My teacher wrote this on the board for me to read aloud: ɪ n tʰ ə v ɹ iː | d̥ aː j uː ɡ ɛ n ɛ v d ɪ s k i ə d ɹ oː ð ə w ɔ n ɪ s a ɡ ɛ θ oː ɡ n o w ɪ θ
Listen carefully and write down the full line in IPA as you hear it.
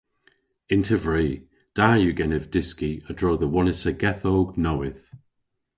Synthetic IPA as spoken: ɪ n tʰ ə v ɹ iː | d̥ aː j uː ɡ ɛ n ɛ v d ɪ s k i ə d ɹ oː ð ə w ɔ n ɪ s ə ɡ ɛ θ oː ɡ n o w ɪ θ